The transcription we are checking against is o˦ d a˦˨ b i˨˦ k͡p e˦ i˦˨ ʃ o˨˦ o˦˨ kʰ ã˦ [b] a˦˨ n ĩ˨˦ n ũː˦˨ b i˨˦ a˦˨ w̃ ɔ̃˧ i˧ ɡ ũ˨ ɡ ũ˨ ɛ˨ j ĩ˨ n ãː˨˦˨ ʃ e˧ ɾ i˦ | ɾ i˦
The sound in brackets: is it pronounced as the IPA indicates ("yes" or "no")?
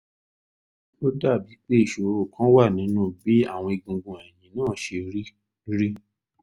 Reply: no